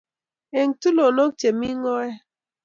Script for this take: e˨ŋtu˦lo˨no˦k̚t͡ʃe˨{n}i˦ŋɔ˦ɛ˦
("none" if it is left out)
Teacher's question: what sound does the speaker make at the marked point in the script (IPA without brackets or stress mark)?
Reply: m